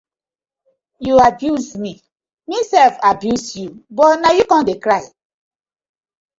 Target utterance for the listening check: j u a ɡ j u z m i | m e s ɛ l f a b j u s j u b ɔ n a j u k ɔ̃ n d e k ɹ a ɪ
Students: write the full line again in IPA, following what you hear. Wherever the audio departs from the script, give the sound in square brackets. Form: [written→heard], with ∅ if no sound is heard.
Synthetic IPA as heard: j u a [ɡ→b] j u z m i | m [e→i] s ɛ l f a b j u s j u b ɔ n a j u k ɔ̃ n d e k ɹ a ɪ